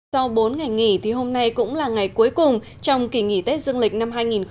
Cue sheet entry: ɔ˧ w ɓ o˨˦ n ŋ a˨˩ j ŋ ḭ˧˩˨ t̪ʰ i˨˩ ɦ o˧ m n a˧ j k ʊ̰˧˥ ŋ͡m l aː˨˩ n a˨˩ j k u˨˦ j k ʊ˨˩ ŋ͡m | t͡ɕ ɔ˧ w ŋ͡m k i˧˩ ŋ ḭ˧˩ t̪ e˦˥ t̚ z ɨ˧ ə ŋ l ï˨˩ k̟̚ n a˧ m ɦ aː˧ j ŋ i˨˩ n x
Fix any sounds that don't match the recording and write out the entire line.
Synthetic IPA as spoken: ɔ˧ w ɓ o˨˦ n ŋ a˨˩ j ŋ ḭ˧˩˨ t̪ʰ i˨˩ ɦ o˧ m n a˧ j k ʊ̰˧˥ ŋ͡m l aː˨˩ ŋ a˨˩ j k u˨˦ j k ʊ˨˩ ŋ͡m | t͡ɕ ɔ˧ w ŋ͡m k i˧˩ ŋ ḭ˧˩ t̪ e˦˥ t̚ z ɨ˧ ə ŋ l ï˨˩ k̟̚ n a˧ m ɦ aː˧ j ŋ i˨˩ n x